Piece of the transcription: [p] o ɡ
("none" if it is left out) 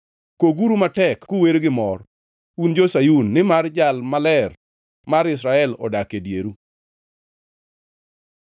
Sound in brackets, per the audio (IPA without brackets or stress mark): k